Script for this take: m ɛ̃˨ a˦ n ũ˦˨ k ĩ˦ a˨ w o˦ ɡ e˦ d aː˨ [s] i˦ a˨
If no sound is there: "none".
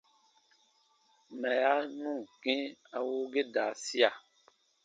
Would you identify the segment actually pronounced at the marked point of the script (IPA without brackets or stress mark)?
s